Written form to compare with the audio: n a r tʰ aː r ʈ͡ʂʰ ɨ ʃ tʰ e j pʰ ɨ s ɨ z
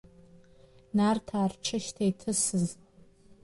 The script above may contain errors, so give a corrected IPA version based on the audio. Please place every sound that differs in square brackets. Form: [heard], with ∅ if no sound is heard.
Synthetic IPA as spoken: n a r tʰ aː r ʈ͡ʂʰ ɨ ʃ tʰ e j [tʰ] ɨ s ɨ z